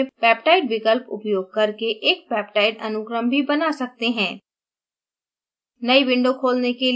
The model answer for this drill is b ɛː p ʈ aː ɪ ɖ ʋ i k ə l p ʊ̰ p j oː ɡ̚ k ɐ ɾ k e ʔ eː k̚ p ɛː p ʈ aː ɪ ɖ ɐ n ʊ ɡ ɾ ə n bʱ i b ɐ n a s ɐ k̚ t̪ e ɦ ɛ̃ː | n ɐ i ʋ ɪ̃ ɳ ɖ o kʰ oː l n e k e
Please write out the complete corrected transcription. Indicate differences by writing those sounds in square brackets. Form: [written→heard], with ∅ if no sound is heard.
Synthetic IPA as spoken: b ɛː p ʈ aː ɪ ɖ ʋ [i→ɪ] k ə l p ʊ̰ p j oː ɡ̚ k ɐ ɾ k e ʔ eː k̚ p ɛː p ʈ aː ɪ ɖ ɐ n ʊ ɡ ɾ ə [n→m] bʱ i b ɐ n a s ɐ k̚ t̪ e ɦ ɛ̃ː | n ɐ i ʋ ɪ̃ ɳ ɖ o kʰ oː l n e k e